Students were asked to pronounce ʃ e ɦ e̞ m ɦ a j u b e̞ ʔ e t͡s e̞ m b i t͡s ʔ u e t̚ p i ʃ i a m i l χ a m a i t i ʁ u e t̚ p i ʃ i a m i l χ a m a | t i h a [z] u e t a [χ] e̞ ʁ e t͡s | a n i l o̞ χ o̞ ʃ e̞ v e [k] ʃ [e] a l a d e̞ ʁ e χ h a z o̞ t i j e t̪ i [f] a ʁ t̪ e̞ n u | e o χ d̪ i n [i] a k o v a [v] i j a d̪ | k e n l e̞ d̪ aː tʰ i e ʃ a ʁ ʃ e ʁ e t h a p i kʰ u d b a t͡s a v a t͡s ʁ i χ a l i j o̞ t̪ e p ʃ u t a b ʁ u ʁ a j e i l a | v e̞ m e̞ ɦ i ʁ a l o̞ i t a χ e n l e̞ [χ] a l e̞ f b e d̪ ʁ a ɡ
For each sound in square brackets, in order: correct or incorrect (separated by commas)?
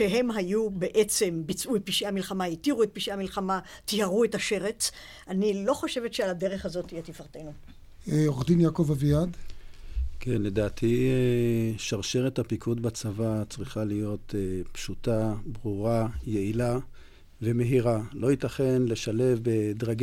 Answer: incorrect, incorrect, incorrect, correct, correct, incorrect, correct, incorrect